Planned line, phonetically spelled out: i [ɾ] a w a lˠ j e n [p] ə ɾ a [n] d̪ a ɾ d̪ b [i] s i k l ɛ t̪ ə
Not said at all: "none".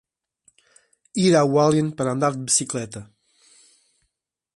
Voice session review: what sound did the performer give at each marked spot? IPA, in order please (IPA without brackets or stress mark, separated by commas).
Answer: ɾ, p, n, i